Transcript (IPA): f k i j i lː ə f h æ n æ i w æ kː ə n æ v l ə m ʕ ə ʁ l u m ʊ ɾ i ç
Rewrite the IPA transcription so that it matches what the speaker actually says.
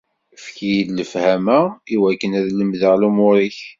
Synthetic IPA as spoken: f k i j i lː ə f h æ m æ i w æ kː ə n æ ð l ə m ð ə ʁ l u m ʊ ɾ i ç